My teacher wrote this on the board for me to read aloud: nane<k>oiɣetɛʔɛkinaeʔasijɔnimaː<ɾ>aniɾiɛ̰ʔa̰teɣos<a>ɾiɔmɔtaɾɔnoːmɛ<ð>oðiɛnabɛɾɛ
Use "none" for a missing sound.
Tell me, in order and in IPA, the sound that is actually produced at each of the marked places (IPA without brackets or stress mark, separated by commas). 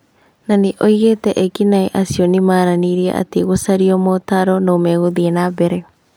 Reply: ʔ, ɾ, a, ɣ